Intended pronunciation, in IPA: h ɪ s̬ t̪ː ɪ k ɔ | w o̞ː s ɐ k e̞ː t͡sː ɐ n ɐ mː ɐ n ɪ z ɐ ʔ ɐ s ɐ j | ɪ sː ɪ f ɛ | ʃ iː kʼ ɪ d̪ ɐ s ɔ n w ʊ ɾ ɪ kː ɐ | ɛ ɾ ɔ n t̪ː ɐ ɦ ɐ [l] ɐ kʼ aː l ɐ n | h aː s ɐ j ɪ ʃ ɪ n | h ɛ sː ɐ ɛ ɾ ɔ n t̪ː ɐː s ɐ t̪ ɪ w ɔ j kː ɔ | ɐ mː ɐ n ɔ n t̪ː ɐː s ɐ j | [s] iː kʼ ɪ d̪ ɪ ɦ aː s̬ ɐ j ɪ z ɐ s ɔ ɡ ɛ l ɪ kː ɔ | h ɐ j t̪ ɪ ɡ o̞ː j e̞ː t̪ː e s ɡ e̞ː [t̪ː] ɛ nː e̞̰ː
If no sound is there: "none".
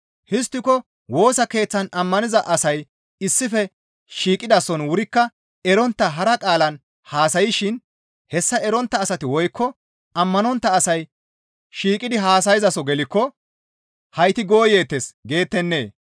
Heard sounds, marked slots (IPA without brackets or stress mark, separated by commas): ɾ, ʃ, t̪ː